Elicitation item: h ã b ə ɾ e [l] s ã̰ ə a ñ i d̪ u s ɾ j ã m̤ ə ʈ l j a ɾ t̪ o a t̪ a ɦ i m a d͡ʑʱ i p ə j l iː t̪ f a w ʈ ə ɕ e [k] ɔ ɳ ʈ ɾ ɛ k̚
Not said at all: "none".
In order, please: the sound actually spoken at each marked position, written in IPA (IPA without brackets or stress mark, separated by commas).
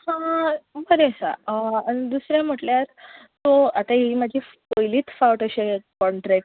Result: none, k